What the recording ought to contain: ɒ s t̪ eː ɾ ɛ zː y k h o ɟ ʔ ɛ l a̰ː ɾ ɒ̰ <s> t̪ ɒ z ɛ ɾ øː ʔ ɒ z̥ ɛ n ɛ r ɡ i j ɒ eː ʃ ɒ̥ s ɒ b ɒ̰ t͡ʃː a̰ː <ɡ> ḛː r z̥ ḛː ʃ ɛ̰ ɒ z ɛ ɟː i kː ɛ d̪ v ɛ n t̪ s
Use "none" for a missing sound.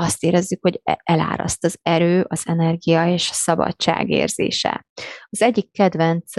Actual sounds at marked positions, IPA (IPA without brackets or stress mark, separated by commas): s, ɡ